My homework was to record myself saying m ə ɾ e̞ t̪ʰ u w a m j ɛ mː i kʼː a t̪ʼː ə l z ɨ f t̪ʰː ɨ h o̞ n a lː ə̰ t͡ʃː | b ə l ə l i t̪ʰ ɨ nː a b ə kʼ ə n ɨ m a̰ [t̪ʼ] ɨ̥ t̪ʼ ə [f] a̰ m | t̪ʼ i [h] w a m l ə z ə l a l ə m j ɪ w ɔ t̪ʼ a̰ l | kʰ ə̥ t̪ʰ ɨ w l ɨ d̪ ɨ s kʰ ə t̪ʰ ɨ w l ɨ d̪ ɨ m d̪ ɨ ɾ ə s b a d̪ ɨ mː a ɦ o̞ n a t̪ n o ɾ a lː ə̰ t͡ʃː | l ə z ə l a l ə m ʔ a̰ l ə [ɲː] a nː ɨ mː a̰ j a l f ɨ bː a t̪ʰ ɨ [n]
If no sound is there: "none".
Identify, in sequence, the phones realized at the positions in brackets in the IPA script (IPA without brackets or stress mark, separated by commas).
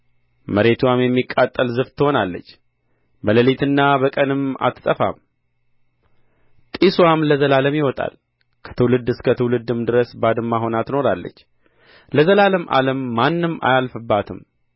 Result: t̪, f, s, mː, m